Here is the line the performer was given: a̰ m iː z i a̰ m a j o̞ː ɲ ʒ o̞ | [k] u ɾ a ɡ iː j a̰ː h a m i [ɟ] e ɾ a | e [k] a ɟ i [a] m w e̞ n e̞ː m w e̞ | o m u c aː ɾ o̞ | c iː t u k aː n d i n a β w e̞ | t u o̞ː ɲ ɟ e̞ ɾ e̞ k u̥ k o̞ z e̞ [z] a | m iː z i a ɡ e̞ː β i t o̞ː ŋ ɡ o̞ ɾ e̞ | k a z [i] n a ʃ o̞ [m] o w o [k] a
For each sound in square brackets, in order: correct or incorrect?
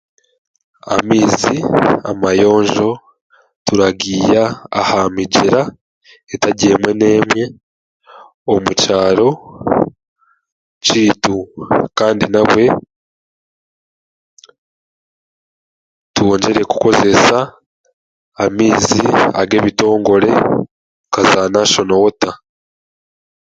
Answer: incorrect, correct, incorrect, incorrect, incorrect, incorrect, incorrect, incorrect

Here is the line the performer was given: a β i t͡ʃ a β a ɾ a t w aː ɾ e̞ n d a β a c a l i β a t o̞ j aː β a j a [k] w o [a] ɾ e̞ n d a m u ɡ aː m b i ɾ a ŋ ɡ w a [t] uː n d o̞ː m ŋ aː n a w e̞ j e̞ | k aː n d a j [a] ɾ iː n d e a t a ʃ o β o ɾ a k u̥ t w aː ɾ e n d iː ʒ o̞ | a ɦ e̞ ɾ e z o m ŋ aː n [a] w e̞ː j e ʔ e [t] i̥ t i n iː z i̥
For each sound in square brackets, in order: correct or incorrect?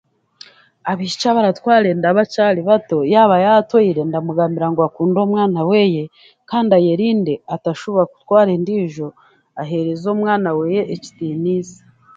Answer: incorrect, incorrect, incorrect, incorrect, correct, incorrect

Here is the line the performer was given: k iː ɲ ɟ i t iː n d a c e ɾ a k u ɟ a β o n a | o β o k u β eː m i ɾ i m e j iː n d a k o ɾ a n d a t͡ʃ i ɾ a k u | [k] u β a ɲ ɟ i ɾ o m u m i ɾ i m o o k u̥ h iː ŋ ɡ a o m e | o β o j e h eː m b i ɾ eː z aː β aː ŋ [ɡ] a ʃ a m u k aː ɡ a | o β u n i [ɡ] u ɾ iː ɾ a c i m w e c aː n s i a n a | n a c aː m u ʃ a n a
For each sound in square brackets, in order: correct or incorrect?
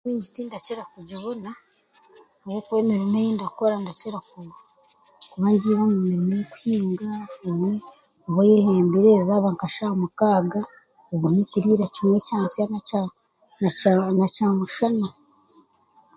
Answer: correct, incorrect, incorrect

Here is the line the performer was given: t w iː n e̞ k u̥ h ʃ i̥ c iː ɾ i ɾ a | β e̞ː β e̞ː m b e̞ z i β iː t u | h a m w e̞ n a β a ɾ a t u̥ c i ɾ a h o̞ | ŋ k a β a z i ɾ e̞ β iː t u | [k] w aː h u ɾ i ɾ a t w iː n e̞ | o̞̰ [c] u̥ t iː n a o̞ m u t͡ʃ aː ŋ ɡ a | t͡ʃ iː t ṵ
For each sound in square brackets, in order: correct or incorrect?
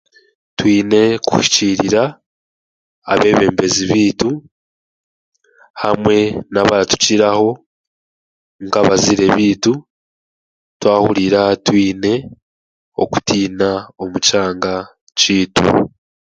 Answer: incorrect, incorrect

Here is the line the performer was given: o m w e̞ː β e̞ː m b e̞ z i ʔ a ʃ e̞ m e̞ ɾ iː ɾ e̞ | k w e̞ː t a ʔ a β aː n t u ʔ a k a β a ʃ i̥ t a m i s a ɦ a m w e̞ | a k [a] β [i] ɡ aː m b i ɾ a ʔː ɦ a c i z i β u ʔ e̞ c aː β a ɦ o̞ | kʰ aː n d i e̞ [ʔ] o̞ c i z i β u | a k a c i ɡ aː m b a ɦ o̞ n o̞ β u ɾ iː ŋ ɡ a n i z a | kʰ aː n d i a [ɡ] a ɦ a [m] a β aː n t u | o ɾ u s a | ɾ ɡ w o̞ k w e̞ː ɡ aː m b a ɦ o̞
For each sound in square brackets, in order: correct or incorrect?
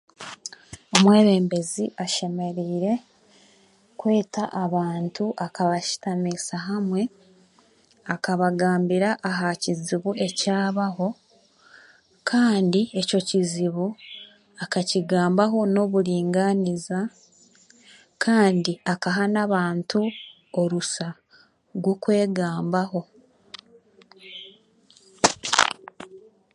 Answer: correct, incorrect, incorrect, incorrect, incorrect

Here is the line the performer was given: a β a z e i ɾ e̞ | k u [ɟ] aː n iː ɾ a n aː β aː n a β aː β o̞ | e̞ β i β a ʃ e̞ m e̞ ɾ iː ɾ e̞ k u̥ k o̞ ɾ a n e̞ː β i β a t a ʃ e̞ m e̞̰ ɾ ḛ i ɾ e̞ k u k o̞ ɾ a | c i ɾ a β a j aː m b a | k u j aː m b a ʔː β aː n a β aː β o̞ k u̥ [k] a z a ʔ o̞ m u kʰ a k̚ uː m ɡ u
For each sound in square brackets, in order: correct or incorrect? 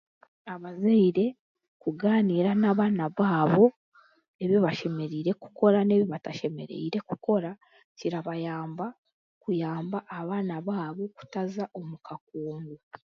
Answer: incorrect, incorrect

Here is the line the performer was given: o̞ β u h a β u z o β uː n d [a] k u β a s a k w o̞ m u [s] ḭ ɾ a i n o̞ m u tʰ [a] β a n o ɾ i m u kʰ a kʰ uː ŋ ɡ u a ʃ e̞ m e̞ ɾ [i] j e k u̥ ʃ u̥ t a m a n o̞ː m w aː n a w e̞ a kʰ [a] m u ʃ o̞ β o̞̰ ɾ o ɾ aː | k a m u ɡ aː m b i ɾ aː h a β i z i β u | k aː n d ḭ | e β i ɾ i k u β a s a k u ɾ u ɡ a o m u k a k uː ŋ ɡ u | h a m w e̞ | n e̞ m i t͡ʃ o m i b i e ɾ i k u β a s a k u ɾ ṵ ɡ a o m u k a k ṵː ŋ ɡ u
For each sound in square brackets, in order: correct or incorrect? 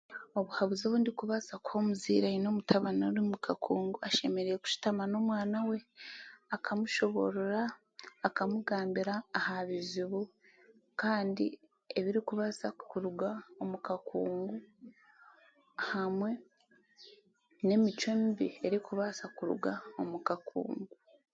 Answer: incorrect, incorrect, correct, incorrect, correct

